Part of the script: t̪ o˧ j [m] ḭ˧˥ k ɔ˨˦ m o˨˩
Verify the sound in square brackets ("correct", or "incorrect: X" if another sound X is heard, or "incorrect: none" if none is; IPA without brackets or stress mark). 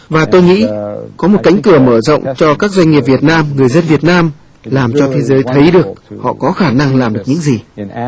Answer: incorrect: ŋ